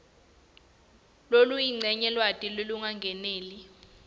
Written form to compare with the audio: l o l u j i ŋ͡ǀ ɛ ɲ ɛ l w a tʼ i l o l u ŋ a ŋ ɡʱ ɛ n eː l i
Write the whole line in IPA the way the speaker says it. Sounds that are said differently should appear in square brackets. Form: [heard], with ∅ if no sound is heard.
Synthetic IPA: l o l u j i ŋ͡ǀ ɛ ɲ ɛ l w a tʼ i l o l u ŋ a ŋ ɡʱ ɛ n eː l i

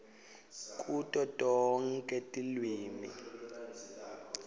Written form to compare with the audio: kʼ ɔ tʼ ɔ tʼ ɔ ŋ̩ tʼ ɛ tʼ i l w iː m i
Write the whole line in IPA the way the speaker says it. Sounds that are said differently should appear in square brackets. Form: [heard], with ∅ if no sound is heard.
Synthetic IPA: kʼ [u] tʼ ɔ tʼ ɔ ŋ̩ [kʼ] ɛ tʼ i l w iː m i

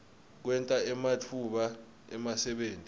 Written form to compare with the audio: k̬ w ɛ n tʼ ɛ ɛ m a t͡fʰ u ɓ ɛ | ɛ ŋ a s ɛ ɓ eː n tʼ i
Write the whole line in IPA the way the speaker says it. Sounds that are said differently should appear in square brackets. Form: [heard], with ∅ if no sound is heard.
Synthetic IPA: k̬ w ɛ n tʼ [a] ɛ m a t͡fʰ u ɓ [a] | ɛ [m] a s ɛ ɓ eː n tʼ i

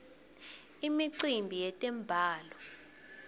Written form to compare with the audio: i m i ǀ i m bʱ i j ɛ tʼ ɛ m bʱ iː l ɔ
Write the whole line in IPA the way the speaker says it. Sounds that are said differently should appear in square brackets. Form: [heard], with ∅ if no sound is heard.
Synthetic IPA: i m i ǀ i m bʱ i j ɛ tʼ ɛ m bʱ [aː] l ɔ

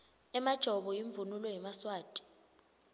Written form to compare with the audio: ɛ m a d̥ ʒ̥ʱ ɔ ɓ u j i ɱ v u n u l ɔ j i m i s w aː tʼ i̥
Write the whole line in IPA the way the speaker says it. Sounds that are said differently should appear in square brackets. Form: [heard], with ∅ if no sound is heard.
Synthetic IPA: ɛ m a d̥ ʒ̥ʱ ɔ ɓ [ɔ] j i ɱ v u n u l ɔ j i m [a] s w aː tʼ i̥

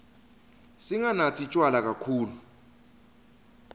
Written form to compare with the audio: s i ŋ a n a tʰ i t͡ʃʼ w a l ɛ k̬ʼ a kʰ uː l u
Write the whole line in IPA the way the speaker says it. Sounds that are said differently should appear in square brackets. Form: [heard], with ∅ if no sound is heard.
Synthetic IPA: s i ŋ a n a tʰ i t͡ʃʼ w a l [a] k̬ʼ a kʰ uː l u

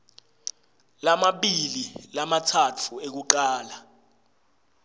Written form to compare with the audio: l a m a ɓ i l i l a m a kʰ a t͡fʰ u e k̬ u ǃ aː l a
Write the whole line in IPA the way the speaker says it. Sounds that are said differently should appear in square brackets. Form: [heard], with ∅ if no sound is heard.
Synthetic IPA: l a m a ɓ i l i l a m a [tʰ] a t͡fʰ u e k̬ u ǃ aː l a

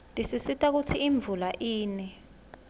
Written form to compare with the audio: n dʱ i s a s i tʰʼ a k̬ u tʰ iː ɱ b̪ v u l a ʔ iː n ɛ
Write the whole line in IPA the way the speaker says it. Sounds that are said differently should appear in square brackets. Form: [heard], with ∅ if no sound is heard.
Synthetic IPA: n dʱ i s [i] s i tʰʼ a k̬ u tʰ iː ɱ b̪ v u l a ʔ iː n ɛ

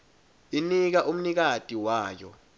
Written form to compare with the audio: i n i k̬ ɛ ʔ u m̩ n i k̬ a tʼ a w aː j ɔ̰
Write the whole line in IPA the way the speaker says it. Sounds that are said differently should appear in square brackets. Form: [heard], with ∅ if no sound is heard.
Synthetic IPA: i n i k̬ [a] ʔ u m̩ n i k̬ a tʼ [i] w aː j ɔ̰

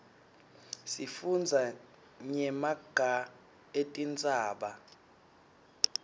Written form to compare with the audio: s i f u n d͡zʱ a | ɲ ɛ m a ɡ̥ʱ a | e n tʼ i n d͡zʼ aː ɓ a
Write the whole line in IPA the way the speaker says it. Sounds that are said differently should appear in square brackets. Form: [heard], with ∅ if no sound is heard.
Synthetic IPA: s i f u n d͡zʱ a | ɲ ɛ m a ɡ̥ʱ a | e [∅] tʼ i n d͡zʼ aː ɓ a

